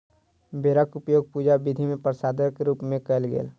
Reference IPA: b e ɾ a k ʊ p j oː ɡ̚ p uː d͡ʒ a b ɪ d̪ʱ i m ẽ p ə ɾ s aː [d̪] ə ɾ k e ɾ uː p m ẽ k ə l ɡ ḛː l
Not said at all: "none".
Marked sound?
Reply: d̪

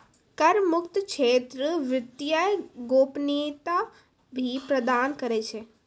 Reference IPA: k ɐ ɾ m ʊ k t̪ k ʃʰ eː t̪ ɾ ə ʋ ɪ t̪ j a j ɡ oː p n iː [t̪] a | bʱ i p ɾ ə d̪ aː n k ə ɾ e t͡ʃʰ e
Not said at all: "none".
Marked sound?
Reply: t̪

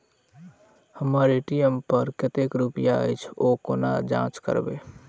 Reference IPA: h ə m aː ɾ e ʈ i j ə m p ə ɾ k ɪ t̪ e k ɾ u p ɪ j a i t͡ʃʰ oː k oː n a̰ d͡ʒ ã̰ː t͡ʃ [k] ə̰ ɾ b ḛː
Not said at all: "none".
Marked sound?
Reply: k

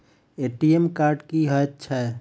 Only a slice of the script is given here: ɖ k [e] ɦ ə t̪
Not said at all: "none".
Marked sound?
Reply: i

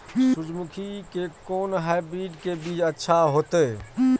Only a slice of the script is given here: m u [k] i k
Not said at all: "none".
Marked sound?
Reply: kʰ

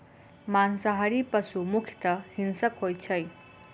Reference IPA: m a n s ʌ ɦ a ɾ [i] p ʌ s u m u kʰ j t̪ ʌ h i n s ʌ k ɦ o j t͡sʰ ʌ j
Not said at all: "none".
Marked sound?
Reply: i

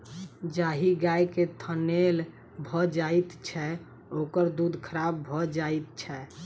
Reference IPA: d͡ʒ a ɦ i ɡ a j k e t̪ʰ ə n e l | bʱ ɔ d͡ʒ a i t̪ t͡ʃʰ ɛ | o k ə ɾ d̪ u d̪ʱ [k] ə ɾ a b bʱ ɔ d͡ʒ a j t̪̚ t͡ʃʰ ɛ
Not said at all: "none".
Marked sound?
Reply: kʰ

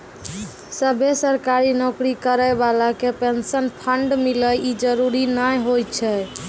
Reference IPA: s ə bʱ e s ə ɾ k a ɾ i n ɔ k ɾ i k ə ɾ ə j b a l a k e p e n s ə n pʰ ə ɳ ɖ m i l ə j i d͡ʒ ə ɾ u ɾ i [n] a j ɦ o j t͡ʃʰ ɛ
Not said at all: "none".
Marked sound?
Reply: n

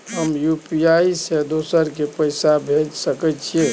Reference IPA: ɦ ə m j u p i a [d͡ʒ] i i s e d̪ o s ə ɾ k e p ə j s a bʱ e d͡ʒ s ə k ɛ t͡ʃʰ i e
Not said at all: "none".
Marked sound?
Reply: none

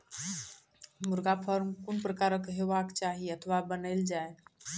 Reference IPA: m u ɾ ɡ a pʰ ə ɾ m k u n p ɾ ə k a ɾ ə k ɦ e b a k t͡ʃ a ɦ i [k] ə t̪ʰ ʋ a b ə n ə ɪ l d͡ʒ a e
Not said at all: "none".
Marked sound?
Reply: none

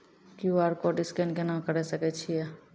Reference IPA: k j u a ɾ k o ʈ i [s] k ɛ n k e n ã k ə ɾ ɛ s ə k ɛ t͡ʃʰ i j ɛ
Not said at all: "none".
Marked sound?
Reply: s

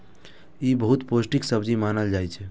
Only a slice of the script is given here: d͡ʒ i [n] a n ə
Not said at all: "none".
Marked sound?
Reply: m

